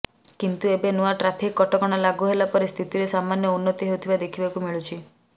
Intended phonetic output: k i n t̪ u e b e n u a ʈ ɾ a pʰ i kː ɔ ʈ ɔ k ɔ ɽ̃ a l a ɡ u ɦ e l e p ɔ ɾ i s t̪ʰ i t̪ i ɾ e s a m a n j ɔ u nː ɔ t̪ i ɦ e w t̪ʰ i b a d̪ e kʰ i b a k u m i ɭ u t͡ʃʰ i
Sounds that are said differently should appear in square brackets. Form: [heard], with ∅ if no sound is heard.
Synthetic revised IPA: k i n t̪ u e b e n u a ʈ ɾ a pʰ i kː ɔ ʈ ɔ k ɔ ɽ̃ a l a ɡ u ɦ e l [a] p ɔ ɾ i s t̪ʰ i t̪ i ɾ e s a m a n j ɔ u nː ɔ t̪ i ɦ e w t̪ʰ i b a d̪ e kʰ i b a k u m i ɭ u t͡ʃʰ i